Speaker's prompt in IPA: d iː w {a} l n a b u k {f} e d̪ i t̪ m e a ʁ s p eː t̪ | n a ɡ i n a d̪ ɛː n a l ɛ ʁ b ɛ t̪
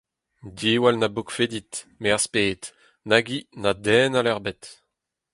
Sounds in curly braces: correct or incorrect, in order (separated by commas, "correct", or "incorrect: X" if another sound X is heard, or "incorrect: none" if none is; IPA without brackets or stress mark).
correct, correct